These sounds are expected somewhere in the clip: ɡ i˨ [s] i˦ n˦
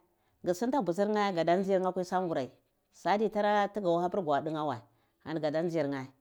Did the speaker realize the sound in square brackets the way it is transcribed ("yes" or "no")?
yes